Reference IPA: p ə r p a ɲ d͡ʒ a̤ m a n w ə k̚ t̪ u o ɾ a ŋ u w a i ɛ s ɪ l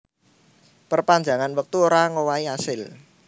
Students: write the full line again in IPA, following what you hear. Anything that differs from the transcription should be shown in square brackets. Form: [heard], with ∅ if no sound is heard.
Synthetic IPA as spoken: p ə r p a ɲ d͡ʒ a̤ [ŋ] a n w ə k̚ t̪ u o ɾ a ŋ [o] w a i [a] s ɪ l